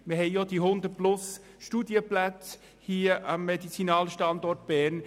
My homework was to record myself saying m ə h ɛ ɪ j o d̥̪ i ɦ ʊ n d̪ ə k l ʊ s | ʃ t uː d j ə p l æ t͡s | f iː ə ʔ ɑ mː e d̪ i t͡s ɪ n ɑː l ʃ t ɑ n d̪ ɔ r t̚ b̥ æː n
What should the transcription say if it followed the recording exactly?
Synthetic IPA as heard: m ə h ɛ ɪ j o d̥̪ i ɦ ʊ n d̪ ə p l ʊ s | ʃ t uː d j ə p l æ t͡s | h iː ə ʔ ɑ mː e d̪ i t͡s i n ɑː l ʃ t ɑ n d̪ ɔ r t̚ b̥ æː n